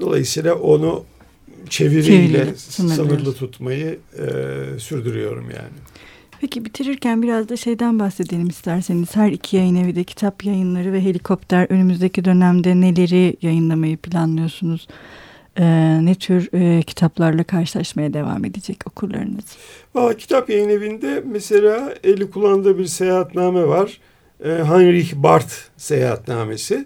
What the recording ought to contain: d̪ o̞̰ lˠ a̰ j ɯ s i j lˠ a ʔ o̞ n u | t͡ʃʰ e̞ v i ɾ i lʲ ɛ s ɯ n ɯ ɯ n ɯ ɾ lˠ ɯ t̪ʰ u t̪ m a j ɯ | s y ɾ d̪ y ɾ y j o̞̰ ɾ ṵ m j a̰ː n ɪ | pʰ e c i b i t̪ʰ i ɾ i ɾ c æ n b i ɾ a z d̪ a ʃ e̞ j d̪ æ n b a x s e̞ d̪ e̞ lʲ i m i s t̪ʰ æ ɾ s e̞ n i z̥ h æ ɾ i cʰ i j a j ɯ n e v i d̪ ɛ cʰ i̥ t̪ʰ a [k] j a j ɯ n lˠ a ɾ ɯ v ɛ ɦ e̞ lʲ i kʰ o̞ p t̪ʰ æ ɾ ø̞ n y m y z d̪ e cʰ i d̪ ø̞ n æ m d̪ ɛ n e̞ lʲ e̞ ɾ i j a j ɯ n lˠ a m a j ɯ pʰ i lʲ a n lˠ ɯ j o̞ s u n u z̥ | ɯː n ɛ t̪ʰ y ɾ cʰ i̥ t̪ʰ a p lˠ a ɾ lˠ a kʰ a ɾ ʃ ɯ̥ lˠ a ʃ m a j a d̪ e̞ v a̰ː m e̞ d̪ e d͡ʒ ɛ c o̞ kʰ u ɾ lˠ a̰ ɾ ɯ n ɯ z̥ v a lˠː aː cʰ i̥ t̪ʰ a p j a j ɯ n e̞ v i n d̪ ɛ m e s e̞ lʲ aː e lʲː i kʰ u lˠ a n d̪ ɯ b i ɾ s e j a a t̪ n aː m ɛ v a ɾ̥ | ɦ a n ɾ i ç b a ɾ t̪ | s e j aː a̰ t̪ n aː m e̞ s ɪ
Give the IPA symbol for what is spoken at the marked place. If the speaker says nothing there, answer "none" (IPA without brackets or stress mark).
p